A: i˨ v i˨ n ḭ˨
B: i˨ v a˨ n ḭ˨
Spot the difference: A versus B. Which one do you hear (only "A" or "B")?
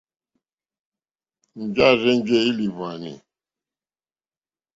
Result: B